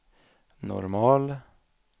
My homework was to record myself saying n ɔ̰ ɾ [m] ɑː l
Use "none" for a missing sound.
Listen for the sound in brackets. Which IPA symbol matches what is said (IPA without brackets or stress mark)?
m